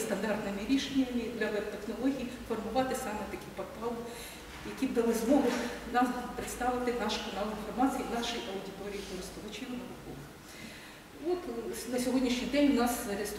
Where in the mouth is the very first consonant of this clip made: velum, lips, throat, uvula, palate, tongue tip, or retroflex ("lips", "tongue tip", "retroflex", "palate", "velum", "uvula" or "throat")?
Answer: tongue tip